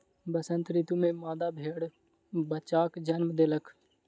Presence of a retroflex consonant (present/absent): present